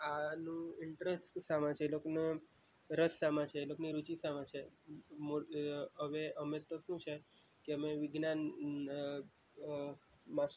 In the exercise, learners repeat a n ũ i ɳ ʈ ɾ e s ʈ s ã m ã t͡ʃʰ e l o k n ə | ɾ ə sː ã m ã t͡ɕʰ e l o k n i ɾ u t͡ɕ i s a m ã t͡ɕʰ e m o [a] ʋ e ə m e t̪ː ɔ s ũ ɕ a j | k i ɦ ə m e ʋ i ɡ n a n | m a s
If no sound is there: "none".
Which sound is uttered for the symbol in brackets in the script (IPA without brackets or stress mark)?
ə